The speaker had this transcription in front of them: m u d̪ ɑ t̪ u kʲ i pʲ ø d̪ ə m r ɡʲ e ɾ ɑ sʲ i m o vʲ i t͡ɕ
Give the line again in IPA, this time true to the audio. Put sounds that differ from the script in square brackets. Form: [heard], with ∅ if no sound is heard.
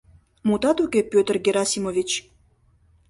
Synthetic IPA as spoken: m u [t̪] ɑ t̪ u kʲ [e] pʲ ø [t̪] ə [∅] r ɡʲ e ɾ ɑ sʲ i m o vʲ i t͡ɕ